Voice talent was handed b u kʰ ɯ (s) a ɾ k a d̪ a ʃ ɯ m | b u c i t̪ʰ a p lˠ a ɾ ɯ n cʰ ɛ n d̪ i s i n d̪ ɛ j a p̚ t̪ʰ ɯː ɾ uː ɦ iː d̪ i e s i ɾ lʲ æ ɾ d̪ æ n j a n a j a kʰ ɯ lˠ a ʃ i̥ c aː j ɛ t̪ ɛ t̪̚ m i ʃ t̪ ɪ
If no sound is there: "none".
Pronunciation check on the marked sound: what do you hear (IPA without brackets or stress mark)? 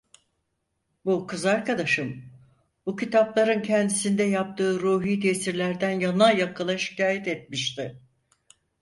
z